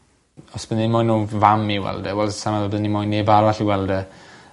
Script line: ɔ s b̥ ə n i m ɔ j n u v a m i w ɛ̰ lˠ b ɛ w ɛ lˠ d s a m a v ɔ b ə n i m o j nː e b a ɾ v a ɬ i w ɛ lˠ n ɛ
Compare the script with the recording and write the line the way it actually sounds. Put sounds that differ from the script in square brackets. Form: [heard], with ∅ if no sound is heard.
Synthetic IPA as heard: ɔ s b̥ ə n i m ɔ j n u v a m i w ɛ̰ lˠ [d] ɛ w ɛ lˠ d s a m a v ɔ b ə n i m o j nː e b a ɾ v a ɬ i w ɛ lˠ [d] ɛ